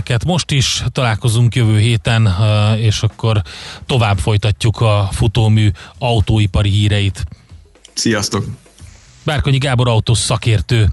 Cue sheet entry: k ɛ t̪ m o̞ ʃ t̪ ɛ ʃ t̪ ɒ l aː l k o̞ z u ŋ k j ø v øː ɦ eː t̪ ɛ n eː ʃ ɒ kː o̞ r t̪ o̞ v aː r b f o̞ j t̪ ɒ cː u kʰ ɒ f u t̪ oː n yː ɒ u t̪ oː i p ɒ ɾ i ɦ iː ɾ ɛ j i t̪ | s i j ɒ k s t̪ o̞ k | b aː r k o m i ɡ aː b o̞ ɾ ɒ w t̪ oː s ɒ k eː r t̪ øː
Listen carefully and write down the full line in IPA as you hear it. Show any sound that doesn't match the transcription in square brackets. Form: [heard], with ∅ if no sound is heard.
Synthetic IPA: k ɛ t̪ m o̞ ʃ t̪ [i] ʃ t̪ ɒ l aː l k o̞ z u ŋ k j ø v øː ɦ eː t̪ ɛ n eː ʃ ɒ kː o̞ r t̪ o̞ v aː [∅] b f o̞ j t̪ ɒ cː u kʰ ɒ f u t̪ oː [m] yː ɒ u t̪ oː i p ɒ ɾ i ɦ iː ɾ ɛ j i t̪ | s i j ɒ [∅] s t̪ o̞ k | b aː r k o [ɲ] i ɡ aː b o̞ ɾ ɒ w t̪ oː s ɒ k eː r t̪ øː